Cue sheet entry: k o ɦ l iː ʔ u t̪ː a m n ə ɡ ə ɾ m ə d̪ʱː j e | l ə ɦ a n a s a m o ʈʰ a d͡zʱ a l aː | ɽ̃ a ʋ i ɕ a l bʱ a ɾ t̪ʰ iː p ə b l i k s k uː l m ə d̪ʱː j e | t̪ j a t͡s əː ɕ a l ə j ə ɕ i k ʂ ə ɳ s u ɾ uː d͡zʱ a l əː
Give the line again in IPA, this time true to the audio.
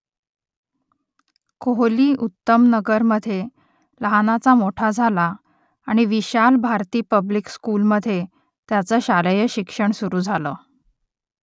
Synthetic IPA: k o ɦ l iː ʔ u t̪ː ə m n ə ɡ ə ɾ m ə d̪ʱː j e | l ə ɦ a n a t͡s a m o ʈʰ a d͡zʱ a l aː | ɽ̃ i ʋ i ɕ a l bʱ a ɾ t̪ iː p ə b l i k s k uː l m ə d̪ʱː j e | t̪ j a t͡s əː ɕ a l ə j ə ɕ i k ʂ ə ɳ s u ɾ uː d͡zʱ a l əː